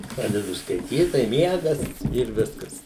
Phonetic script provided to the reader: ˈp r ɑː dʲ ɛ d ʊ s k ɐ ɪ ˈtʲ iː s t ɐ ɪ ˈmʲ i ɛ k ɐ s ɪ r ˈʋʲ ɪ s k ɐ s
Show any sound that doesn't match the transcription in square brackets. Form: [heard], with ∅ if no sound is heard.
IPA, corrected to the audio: ˈp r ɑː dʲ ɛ d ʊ s k ɐ ɪ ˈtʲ iː [t] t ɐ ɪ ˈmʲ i ɛ [ɡ] ɐ s ɪ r ˈʋʲ ɪ s k ɐ s